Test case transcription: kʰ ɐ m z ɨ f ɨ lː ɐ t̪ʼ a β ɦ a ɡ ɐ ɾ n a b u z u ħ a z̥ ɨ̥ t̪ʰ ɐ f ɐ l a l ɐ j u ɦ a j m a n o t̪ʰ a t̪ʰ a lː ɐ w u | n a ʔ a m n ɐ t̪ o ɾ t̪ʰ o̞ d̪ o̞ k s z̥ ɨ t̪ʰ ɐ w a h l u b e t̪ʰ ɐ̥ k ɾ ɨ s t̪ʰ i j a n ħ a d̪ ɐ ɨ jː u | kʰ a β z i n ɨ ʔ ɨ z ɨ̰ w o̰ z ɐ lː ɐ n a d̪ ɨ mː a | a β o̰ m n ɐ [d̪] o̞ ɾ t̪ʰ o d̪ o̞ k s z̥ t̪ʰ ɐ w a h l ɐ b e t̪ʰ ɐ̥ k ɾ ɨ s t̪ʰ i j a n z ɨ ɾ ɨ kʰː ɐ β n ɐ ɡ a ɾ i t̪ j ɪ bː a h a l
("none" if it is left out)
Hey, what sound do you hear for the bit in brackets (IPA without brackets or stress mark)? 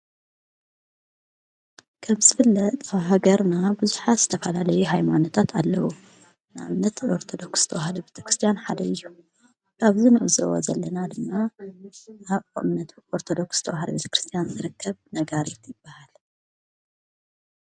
t̪